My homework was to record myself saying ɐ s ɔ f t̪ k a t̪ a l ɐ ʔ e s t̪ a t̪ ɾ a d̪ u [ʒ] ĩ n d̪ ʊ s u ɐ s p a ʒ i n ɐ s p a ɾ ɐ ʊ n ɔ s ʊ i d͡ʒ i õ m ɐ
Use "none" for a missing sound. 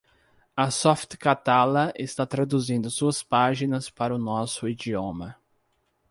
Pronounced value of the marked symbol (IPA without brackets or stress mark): z